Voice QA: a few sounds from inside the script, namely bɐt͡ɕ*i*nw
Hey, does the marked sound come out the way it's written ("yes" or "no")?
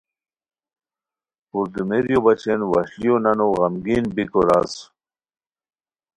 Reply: no